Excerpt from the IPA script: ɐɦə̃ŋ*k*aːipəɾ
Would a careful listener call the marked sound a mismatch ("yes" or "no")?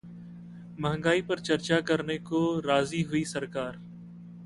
yes